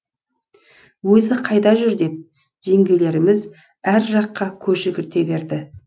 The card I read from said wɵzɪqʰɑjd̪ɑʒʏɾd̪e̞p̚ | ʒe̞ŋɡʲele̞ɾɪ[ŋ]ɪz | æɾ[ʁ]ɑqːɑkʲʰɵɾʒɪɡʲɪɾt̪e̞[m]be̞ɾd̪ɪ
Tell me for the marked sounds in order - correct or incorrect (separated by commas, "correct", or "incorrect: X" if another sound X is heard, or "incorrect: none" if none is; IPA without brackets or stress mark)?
incorrect: m, incorrect: ʒ, incorrect: none